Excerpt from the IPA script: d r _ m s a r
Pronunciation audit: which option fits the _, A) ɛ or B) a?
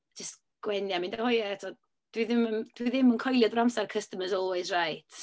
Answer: B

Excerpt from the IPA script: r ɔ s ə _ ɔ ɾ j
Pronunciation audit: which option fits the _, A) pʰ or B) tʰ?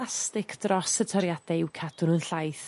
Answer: B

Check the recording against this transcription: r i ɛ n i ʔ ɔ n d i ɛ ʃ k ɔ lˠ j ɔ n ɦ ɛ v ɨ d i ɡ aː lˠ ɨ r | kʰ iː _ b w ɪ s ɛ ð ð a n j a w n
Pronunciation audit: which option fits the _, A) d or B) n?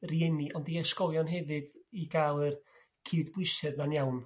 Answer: A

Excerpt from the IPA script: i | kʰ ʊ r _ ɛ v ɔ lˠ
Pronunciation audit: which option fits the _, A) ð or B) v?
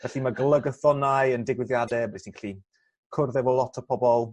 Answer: A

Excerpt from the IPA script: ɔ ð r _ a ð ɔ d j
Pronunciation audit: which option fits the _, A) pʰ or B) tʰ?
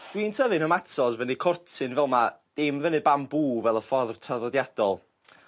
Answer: B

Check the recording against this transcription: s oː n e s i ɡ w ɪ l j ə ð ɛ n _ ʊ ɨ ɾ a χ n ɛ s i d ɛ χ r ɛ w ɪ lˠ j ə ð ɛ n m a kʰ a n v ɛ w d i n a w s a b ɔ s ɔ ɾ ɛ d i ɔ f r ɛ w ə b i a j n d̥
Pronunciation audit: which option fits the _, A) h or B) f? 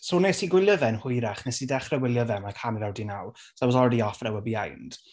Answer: A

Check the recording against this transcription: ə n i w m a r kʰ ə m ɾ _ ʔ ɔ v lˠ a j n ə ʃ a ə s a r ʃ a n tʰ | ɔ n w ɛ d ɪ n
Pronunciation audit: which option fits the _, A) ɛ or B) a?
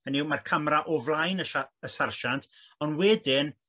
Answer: B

